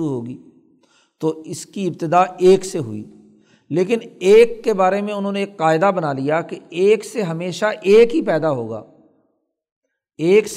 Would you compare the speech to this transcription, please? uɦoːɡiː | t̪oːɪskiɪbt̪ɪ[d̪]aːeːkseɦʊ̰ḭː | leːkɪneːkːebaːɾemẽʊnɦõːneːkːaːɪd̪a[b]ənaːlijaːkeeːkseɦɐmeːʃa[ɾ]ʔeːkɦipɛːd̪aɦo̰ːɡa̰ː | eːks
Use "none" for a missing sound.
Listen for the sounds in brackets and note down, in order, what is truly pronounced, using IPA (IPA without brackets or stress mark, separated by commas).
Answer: d̪, b, none